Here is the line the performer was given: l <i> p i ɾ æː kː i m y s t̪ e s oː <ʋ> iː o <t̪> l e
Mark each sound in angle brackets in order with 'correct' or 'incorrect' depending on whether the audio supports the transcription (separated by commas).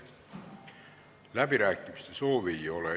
incorrect, correct, incorrect